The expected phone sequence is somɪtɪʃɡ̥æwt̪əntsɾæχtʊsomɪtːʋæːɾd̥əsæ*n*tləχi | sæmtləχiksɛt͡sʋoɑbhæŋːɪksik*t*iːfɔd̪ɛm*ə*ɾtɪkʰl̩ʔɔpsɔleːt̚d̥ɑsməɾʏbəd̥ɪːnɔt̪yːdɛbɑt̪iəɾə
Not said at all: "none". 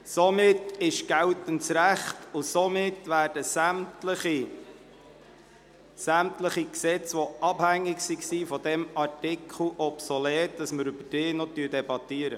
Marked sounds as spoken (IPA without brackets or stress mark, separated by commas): m, s, ɑ